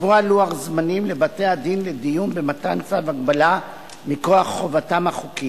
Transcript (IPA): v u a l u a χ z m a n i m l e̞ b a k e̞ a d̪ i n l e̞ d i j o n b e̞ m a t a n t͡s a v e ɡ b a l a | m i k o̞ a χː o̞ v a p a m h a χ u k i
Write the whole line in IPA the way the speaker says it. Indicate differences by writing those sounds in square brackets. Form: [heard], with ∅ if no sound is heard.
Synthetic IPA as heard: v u a l u a χ z m a n i m l e̞ b a [t] e̞ a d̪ i n l e̞ d i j [u] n b e̞ m a t a n t͡s a v [a] ɡ b a l a | m i k o̞ a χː o̞ v a [t] a m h a χ u k i